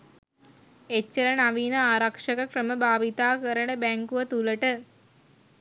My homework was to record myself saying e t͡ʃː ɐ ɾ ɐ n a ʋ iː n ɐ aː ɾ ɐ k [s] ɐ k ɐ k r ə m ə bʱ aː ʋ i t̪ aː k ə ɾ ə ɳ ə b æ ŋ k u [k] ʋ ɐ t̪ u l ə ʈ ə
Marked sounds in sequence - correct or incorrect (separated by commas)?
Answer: incorrect, incorrect